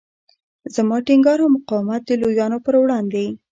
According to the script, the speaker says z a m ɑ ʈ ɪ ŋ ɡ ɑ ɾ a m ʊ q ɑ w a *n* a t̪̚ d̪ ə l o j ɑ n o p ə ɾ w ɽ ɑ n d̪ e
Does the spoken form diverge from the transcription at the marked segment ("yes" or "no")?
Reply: yes